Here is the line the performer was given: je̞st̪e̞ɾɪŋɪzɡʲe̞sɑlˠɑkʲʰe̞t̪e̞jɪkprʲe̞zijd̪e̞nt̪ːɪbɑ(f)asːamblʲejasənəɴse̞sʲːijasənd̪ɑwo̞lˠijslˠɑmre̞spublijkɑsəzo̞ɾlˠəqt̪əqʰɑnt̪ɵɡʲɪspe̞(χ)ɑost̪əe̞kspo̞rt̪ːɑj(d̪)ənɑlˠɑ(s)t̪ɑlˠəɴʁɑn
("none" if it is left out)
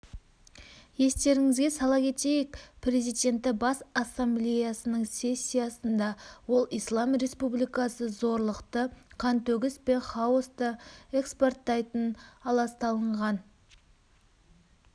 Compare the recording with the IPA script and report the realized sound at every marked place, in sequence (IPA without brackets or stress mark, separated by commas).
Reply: s, χ, t̪, s